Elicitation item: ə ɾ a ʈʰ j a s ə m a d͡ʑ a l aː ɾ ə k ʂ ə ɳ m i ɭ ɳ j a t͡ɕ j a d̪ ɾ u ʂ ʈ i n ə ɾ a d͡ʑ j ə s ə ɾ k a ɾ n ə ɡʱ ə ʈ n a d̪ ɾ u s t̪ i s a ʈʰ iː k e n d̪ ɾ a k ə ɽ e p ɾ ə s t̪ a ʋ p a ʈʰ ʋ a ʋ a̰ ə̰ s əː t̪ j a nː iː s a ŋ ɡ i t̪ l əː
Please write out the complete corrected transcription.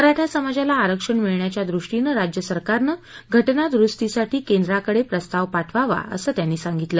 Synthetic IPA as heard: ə ɾ a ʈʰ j a s ə m a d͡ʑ a l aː ɾ ə k ʂ ə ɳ m i ɭ ɳ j a t͡ɕ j a d̪ ɾ u ʂ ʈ i n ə ɾ a d͡ʑ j ə s ə ɾ k a ɾ n ə ɡʱ ə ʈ n a d̪ ɾ u s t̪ i s a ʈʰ iː k e n d̪ ɾ a k ə ɽ e p ɾ ə s t̪ a ʋ p a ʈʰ ʋ a ʋ a̰ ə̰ s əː t̪ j a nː iː s a ŋ ɡ i t̪ l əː